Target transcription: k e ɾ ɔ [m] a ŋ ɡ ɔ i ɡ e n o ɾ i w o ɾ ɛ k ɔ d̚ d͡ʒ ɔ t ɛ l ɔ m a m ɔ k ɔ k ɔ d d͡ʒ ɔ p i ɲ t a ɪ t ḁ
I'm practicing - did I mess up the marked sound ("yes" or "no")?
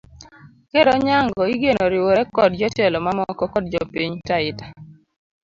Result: yes